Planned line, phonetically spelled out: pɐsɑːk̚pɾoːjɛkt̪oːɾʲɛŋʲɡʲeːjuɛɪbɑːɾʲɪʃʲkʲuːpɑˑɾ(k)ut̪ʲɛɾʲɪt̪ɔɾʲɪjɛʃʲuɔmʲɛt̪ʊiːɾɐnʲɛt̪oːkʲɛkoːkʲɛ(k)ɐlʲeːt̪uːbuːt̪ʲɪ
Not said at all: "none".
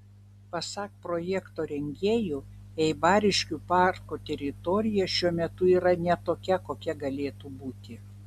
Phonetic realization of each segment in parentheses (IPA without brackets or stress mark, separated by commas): k, ɡ